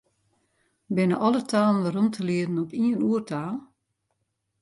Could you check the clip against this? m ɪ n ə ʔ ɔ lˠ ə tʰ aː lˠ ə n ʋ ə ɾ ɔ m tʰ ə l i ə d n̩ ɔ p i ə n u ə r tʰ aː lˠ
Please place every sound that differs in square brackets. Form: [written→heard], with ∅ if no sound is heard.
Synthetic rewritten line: [m→b] ɪ n ə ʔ ɔ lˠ ə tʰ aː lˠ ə n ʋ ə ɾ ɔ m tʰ ə l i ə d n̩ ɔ p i ə n u ə r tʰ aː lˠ